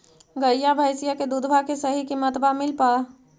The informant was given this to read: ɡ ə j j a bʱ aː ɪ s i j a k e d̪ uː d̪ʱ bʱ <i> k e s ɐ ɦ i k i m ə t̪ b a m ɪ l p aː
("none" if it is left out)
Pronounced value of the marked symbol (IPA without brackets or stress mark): a